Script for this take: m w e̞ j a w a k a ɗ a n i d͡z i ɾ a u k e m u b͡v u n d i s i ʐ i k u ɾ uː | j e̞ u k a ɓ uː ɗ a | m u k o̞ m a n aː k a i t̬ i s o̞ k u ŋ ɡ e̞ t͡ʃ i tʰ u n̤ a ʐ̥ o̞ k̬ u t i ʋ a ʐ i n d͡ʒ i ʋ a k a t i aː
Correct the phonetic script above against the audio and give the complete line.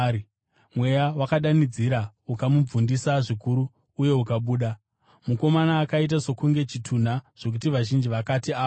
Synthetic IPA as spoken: m w e̞ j a w a k a ɗ a n i d͡z i ɾ a u k a m u b͡v u n d i s a ʐ i k u ɾ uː | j e̞ u k a ɓ uː ɗ a | m u k o̞ m a n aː k a i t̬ a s o̞ k u ŋ ɡ e̞ t͡ʃ i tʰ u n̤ a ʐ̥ o̞ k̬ u t i ʋ a ʒ i n d͡ʒ i ʋ a k a t i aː